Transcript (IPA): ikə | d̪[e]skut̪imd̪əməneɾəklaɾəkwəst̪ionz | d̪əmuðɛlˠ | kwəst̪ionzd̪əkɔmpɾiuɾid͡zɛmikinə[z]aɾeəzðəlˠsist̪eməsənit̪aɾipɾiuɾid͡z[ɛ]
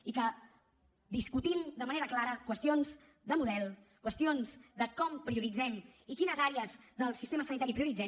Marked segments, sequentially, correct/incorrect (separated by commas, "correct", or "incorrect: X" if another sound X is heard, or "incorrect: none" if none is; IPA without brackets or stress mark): incorrect: i, correct, correct